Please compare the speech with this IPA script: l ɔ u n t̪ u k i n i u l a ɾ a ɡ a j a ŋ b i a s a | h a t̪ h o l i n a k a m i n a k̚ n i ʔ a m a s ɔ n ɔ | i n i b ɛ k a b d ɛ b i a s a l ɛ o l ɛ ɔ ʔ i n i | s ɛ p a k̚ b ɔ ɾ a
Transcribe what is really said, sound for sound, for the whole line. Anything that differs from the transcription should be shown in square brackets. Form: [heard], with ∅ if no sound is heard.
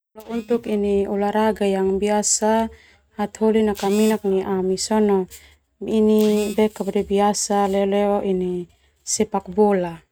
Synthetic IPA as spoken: l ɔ u n t̪ u k i n i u l a ɾ a ɡ a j a ŋ b i a s a | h a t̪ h o l i n a k a m i n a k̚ n i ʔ a m [i] s ɔ n ɔ | i n i b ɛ k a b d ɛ b i a s a l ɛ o l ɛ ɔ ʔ i n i | s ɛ p a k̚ b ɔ [l] a